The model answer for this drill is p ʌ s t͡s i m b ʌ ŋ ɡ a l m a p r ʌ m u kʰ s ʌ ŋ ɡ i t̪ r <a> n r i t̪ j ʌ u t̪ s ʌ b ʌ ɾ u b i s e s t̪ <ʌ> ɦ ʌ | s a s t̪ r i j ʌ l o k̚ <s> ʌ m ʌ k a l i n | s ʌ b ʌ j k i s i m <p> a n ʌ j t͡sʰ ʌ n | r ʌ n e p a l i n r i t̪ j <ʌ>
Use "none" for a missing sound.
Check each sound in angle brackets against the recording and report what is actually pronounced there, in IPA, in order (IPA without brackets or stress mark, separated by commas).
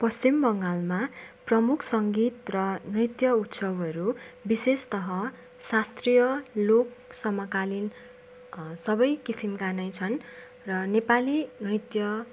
ʌ, ʌ, s, k, ʌ